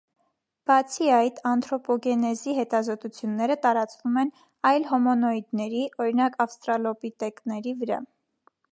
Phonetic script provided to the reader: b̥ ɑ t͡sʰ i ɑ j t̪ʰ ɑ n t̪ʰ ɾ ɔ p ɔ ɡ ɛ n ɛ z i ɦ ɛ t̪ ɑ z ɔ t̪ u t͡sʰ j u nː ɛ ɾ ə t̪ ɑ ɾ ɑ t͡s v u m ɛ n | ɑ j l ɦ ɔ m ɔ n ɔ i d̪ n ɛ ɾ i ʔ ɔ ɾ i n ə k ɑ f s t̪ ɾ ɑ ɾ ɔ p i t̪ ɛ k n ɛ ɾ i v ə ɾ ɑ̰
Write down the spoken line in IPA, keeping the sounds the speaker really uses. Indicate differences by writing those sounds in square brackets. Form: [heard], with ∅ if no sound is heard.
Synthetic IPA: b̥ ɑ t͡sʰ i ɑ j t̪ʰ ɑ n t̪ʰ ɾ ɔ p ɔ ɡ ɛ n ɛ z i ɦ ɛ t̪ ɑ z ɔ t̪ u t͡sʰ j u nː ɛ ɾ ə t̪ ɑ ɾ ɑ t͡s v u m ɛ n | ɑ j l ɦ ɔ m ɔ n ɔ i d̪ n ɛ ɾ i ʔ ɔ ɾ i n [ɑ] k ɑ f s t̪ ɾ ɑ [l] ɔ p i t̪ ɛ k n ɛ ɾ i v ə ɾ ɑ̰

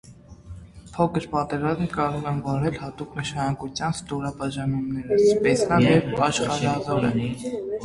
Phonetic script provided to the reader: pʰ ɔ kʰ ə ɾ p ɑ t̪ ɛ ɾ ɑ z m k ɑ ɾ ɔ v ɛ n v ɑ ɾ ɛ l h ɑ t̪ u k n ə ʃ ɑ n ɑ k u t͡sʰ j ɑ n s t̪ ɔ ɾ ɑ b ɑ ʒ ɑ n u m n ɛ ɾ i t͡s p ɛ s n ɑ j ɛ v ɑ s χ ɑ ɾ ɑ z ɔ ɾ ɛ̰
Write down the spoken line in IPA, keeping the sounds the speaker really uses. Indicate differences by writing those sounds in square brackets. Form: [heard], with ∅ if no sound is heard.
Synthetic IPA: pʰ ɔ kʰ ə ɾ p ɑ t̪ ɛ ɾ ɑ z m k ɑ ɾ ɔ [ʁ] ɛ n v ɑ ɾ ɛ l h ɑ t̪ u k n ə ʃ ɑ n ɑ k u t͡sʰ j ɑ n s t̪ ɔ ɾ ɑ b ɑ ʒ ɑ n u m n ɛ ɾ i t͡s p ɛ s n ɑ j ɛ v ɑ [ʃ] χ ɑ ɾ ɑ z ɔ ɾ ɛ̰

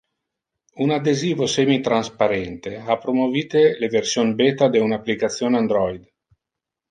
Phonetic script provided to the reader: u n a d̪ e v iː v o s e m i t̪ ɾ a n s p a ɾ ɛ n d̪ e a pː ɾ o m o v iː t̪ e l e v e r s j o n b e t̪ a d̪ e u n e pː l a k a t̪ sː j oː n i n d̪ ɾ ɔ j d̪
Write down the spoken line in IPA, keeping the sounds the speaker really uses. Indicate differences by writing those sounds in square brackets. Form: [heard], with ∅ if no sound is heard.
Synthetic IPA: u n a d̪ e [z] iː v o s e m i t̪ ɾ a n s p a ɾ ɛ n [t̪] e a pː ɾ o m o v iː t̪ e l e v e r s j o n b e t̪ a d̪ e u n [a] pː l [i] k a t̪ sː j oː n [a] n d̪ ɾ ɔ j d̪

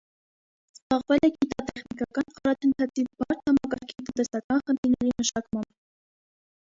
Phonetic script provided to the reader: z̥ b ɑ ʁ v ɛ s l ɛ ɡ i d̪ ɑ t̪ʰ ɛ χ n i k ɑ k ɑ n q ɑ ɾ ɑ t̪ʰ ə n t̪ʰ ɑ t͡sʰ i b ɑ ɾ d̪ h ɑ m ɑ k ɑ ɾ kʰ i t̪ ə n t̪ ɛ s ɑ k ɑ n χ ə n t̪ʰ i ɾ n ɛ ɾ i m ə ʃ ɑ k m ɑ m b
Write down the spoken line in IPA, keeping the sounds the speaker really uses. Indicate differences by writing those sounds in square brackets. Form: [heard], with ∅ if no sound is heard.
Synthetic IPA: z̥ b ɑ ʁ v ɛ [∅] l ɛ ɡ i [t̪] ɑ [t̪] ɛ χ n i k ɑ k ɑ n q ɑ ɾ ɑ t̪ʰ ə n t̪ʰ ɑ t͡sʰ i b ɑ ɾ [t̪] h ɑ m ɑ k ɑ ɾ kʰ i t̪ ə n t̪ ɛ s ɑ k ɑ n χ ə n t̪ʰ i ɾ n ɛ ɾ i m ə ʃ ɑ k m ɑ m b

